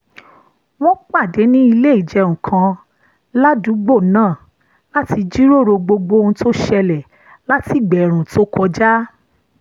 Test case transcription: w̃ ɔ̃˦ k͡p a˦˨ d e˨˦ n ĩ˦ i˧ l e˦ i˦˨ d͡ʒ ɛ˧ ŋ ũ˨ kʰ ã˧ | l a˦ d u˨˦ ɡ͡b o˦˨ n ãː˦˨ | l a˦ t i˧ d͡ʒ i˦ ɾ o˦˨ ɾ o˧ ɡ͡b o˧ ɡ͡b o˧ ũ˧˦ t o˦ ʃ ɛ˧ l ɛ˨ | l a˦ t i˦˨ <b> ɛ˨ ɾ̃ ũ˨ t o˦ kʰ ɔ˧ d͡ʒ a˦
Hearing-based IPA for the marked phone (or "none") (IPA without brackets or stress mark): ɡ͡b